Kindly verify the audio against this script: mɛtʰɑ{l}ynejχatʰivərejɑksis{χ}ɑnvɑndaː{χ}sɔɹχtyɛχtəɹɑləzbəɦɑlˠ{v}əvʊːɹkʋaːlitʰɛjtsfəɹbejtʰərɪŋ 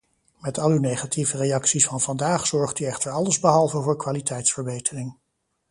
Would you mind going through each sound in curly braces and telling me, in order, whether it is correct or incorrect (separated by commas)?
correct, incorrect, correct, correct